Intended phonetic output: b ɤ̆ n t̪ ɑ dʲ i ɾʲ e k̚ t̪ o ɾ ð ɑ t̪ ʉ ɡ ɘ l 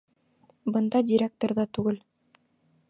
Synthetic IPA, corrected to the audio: b ɤ̆ n d̪ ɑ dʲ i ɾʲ e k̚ t̪ o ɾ ð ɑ t̪ ʉ ɡ ɘ l